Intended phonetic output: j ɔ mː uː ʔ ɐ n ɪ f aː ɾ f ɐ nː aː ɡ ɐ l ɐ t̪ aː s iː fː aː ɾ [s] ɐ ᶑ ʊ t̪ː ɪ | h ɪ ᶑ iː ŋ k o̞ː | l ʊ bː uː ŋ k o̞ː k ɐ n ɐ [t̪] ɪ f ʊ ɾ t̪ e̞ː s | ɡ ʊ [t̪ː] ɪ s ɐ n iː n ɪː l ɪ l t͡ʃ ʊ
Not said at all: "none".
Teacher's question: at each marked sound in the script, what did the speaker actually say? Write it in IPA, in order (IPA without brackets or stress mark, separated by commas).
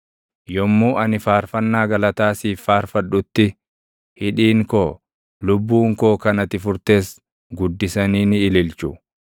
f, t̪, d̪ː